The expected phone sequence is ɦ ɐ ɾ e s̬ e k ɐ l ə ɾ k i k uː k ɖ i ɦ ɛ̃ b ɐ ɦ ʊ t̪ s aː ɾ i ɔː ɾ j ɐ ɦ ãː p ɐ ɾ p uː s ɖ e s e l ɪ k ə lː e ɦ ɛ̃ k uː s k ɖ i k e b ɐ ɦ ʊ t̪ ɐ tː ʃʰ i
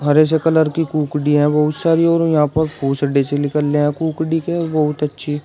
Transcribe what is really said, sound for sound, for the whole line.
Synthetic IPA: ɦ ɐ ɾ e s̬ e k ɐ l ə ɾ k i k uː k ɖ i ɦ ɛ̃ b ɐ ɦ ʊ t̪ s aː ɾ i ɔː ɾ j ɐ ɦ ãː p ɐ ɾ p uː s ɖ e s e l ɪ k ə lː e ɦ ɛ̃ k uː k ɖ i k e b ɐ ɦ ʊ t̪ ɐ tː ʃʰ i